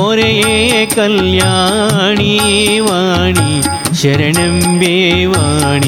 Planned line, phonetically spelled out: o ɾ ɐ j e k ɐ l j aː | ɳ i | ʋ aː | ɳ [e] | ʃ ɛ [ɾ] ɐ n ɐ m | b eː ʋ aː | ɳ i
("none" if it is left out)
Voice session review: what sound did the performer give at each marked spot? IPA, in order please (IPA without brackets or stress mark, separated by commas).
i, ɾ